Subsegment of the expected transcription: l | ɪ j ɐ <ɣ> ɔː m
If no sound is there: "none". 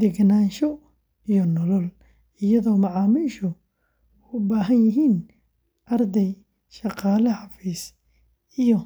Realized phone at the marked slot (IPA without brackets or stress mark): ð